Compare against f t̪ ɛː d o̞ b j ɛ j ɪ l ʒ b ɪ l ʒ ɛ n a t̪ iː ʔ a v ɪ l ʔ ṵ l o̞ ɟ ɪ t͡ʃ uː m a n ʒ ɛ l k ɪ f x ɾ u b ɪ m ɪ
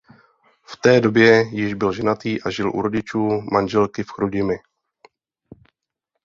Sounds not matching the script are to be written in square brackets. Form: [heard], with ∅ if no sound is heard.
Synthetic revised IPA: f t̪ ɛː d o̞ b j ɛ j ɪ [∅] ʒ b ɪ l ʒ ɛ n a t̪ iː ʔ a [ʒ] ɪ l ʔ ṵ [ɾ] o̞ ɟ ɪ t͡ʃ uː m a n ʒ ɛ l k ɪ f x ɾ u [ɟ] ɪ m ɪ